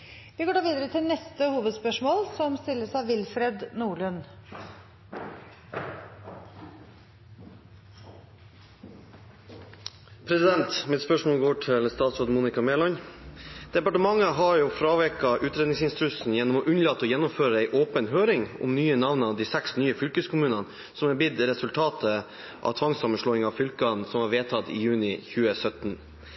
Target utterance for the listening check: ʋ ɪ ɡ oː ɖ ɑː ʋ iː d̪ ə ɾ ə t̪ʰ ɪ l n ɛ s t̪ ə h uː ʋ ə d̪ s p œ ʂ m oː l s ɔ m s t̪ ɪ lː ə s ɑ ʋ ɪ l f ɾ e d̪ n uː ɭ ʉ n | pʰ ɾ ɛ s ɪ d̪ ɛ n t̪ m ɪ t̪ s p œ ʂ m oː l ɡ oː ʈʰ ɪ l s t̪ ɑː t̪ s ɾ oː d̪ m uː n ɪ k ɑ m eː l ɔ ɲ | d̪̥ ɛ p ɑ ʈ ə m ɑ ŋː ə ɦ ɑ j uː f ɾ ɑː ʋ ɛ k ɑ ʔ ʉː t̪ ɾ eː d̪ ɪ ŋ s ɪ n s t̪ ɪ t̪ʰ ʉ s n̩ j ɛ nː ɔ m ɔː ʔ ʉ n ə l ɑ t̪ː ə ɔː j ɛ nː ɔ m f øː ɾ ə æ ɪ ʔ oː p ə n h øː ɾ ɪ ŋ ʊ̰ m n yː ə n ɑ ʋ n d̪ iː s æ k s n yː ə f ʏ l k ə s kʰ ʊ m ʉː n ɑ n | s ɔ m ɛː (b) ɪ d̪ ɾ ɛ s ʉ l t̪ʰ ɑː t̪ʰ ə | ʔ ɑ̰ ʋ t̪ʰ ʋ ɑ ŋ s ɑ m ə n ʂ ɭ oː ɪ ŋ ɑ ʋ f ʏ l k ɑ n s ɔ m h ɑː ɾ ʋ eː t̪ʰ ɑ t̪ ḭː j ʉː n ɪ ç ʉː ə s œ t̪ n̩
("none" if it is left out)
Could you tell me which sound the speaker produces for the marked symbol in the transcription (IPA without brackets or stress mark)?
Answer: b